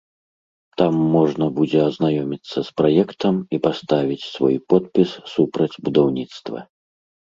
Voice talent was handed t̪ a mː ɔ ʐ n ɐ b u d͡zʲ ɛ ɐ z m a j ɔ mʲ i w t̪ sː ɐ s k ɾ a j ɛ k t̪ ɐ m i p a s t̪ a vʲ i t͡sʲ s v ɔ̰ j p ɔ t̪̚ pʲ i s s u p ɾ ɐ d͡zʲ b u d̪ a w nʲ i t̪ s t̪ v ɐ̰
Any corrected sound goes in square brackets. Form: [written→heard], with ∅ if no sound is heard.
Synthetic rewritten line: t̪ a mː ɔ ʐ n ɐ b u d͡zʲ ɛ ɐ z [m→n] a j ɔ mʲ i [w→∅] t̪ sː ɐ s [k→p] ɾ a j ɛ k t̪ ɐ m i p a s t̪ a vʲ i t͡sʲ s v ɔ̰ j p ɔ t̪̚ pʲ i s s u p ɾ ɐ d͡zʲ b u d̪ a w nʲ i t̪ s t̪ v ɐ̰